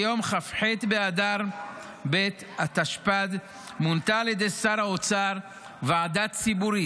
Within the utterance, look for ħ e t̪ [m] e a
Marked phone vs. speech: incorrect: b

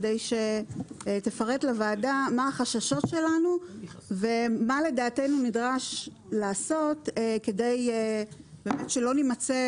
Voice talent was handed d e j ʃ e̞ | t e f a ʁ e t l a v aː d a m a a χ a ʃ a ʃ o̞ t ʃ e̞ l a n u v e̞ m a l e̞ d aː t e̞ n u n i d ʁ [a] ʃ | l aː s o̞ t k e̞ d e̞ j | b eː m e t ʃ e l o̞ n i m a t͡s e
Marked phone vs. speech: correct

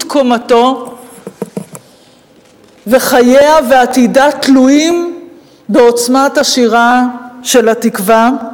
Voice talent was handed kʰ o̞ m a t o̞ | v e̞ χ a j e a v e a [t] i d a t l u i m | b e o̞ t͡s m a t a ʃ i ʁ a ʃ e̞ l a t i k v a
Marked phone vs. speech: correct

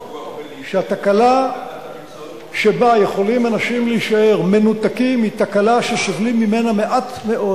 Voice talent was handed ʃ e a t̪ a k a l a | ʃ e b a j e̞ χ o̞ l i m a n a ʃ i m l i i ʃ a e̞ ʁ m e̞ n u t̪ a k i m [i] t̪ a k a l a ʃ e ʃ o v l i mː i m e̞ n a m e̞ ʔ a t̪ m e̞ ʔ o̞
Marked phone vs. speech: correct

